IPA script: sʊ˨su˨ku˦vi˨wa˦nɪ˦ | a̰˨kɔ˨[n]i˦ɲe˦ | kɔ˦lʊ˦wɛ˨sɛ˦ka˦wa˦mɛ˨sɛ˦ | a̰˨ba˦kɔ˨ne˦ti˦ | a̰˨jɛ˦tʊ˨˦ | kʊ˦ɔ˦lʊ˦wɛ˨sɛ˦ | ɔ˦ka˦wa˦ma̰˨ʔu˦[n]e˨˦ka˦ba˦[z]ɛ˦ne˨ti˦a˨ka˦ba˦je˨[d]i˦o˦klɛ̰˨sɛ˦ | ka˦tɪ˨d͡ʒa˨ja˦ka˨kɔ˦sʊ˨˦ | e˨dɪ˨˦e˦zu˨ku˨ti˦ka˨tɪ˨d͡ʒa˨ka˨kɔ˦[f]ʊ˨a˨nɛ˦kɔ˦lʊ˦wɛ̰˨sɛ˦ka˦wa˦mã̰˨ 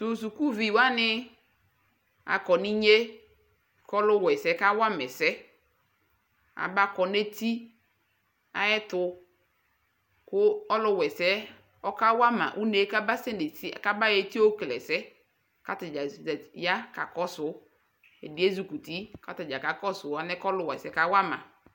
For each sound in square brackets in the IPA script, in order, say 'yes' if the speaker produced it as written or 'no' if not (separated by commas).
yes, yes, no, no, no